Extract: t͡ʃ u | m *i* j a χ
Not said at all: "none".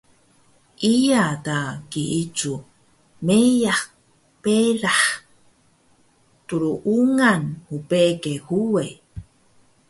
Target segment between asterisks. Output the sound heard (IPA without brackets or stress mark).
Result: e